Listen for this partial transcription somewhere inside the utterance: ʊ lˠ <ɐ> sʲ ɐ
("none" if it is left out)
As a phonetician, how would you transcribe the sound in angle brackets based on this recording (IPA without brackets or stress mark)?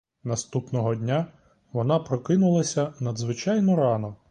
ɐ